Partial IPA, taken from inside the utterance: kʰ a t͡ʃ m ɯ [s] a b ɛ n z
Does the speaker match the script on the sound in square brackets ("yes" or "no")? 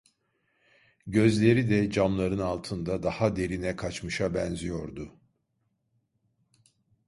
no